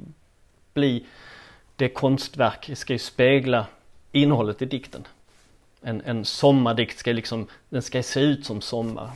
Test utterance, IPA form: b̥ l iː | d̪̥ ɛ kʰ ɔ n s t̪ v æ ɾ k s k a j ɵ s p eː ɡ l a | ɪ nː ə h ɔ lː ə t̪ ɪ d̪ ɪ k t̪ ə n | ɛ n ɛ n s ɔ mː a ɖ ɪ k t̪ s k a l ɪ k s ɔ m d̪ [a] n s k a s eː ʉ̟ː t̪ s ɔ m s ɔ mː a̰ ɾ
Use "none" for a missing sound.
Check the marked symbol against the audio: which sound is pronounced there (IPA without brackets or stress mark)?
ɛ